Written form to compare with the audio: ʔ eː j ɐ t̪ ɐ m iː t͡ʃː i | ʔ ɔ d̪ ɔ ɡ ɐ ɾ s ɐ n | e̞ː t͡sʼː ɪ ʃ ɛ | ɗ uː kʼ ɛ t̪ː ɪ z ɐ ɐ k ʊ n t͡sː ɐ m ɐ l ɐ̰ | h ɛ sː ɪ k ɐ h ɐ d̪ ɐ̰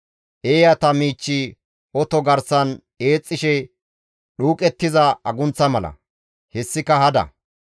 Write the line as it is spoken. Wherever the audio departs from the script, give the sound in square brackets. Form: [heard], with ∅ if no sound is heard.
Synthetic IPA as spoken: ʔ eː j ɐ t̪ ɐ m iː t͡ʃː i | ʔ ɔ [t̪] ɔ ɡ ɐ ɾ s ɐ n | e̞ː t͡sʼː ɪ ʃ ɛ | ɗ uː kʼ ɛ t̪ː ɪ z ɐ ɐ [ɡ] ʊ n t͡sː ɐ m ɐ l ɐ̰ | h ɛ sː ɪ k ɐ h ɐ d̪ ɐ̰